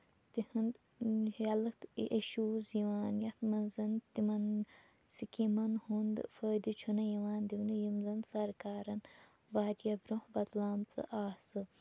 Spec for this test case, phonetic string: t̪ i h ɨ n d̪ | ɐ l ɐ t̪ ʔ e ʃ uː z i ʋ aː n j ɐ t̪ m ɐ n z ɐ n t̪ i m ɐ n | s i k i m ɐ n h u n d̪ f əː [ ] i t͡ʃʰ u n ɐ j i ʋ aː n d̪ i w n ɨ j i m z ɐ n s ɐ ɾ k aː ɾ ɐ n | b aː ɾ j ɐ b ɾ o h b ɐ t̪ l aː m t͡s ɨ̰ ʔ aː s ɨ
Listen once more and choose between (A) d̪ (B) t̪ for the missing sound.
A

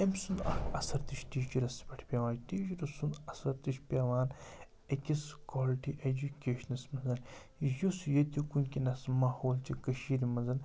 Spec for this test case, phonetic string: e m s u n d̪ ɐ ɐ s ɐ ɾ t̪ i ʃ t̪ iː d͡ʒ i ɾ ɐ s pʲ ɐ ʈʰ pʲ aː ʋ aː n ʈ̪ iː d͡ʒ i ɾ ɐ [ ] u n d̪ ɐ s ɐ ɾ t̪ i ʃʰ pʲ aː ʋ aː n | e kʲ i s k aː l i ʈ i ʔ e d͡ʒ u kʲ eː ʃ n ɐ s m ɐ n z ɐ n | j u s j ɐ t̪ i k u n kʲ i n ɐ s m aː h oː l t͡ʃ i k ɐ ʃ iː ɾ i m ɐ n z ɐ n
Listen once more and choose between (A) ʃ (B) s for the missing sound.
B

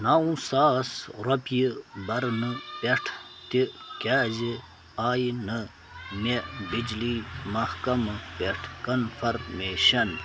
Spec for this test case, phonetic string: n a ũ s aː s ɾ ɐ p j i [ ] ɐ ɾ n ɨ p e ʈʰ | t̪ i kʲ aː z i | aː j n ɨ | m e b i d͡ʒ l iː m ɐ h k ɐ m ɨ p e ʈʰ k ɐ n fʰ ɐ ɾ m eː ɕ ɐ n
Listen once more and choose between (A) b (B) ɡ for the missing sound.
A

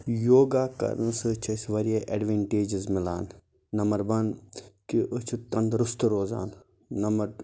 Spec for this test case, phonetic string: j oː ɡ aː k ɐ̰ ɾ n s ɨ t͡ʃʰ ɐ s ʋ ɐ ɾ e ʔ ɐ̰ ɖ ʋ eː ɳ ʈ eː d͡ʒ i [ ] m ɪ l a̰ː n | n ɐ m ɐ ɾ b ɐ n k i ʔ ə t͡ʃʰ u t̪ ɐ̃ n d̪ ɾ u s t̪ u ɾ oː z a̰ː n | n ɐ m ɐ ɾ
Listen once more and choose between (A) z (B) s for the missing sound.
A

